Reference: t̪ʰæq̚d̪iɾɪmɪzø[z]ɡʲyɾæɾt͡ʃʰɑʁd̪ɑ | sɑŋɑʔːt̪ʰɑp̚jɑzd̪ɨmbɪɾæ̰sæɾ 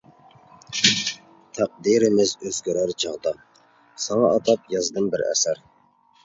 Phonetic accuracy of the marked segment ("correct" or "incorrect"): correct